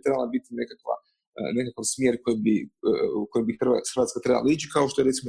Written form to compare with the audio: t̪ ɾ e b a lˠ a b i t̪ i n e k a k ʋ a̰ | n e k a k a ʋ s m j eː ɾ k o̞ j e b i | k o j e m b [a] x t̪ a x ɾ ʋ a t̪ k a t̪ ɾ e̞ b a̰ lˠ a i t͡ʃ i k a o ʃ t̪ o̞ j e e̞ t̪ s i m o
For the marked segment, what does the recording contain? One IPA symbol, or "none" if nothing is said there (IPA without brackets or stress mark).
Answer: i